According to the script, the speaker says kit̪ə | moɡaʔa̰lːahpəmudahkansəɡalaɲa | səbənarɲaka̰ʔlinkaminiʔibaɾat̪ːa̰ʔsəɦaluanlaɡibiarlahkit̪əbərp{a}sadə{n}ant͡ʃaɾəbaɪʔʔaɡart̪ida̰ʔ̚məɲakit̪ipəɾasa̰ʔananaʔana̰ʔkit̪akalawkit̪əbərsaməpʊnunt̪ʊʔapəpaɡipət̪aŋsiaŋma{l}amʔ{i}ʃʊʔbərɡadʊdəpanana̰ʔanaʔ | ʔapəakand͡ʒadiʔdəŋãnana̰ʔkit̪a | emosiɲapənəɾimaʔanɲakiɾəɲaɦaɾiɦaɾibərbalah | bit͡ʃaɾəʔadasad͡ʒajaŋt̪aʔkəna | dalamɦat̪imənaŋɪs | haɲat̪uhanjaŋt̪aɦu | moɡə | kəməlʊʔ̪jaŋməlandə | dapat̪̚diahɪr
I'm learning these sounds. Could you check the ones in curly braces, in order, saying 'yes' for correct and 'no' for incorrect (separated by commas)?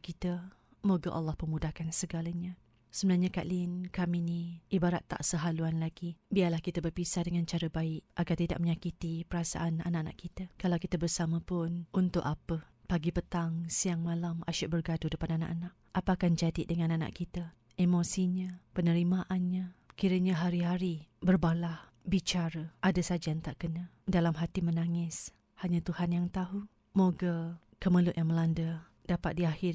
no, no, yes, no